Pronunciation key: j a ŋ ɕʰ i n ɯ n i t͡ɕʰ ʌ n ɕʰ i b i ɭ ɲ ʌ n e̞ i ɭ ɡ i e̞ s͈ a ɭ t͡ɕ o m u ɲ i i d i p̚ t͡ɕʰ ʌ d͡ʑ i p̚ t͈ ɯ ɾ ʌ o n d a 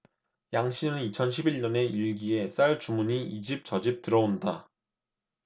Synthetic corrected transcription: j a ŋ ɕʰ i n ɯ n i t͡ɕʰ ʌ n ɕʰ i b i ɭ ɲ ʌ n e̞ i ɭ ɡ i e̞ s͈ a ɭ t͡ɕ u m u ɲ i i d͡ʑ i p̚ t͡ɕ ʌ d͡ʑ i p̚ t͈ ɯ ɾ ʌ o n d a

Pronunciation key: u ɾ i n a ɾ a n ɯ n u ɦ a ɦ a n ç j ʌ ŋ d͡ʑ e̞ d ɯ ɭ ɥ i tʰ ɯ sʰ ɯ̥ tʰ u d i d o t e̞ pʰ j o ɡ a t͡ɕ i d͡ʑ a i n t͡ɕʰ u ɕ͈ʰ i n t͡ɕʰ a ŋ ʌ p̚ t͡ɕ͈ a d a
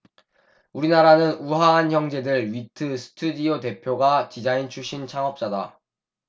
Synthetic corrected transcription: u ɾ i n a ɾ a n ɯ n u ɦ a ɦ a n ç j ʌ ŋ d͡ʑ e̞ d ɯ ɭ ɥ i tʰ ɯ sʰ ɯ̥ tʰ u d i o t e̞ pʰ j o ɡ a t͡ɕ i d͡ʑ a i n t͡ɕʰ u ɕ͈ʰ i n t͡ɕʰ a ŋ ʌ p̚ t͡ɕ͈ a d a

